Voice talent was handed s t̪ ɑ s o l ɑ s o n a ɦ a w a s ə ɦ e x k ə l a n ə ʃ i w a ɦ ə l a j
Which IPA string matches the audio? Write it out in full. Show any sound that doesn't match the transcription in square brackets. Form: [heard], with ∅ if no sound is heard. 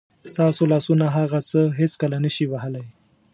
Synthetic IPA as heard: s t̪ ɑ s o l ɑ s [u] n a ɦ a [ɣ] a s ə ɦ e [s] k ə l a n ə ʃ i w a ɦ ə l a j